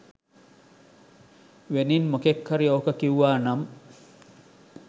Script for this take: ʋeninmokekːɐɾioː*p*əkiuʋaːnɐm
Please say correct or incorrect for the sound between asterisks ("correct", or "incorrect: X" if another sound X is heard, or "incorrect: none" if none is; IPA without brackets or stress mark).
incorrect: k